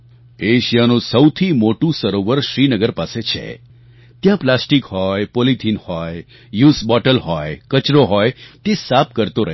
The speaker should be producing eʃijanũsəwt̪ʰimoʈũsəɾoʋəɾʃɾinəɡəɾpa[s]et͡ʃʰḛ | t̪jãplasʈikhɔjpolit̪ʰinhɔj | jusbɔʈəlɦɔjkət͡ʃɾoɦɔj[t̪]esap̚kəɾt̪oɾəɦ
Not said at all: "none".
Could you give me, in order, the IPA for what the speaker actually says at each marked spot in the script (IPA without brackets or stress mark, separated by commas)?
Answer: s, t̪